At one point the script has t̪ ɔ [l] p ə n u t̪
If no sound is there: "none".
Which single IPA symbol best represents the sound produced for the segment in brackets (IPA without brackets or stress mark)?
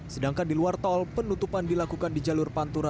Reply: l